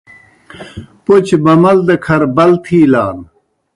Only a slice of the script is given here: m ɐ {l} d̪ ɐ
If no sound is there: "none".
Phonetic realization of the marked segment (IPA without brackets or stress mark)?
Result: l